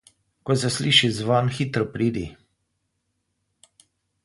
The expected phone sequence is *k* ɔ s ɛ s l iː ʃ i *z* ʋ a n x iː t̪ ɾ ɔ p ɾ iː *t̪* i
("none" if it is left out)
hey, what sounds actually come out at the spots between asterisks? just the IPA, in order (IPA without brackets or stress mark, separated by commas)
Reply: k, z, d̪